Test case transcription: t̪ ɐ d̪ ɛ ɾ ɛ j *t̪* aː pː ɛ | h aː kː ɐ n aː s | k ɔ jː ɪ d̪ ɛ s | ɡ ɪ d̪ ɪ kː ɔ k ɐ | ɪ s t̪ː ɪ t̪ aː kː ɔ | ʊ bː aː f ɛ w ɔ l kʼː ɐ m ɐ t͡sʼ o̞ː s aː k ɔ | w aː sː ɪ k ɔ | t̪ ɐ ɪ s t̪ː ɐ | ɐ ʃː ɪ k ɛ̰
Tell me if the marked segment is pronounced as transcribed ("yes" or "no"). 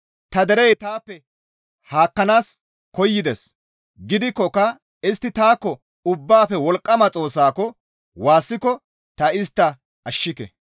yes